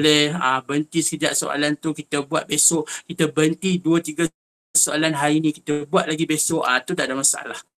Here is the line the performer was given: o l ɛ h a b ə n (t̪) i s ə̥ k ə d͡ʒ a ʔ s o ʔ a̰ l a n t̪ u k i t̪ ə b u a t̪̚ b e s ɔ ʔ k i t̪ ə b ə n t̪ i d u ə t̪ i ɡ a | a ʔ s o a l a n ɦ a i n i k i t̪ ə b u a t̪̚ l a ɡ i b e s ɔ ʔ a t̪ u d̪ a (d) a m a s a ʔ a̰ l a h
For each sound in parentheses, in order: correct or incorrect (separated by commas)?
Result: correct, correct